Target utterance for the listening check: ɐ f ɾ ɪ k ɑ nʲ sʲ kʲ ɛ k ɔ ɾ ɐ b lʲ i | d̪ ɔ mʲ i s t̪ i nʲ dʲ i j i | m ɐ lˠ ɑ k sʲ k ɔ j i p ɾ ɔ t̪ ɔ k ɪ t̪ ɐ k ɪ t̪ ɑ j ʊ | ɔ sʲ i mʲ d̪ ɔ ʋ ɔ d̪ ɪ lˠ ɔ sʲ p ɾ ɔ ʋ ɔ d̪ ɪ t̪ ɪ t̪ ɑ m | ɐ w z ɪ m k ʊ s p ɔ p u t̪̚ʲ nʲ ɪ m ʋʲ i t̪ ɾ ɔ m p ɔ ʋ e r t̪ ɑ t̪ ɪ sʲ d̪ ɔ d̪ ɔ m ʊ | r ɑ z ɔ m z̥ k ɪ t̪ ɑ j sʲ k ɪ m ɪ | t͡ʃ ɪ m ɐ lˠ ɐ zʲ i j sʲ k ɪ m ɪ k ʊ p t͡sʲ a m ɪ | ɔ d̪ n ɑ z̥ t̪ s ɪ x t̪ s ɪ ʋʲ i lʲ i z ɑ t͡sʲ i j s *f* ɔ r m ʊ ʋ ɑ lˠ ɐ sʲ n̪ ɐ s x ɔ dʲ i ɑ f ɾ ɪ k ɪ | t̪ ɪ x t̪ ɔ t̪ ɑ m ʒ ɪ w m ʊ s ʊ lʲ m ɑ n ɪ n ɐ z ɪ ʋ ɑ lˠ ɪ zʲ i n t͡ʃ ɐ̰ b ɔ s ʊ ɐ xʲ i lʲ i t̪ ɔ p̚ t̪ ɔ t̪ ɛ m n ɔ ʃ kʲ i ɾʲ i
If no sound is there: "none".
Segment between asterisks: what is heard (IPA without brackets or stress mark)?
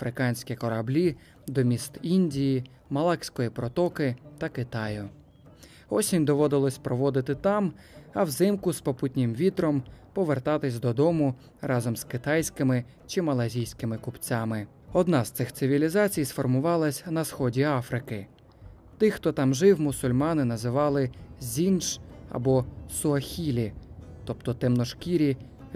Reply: f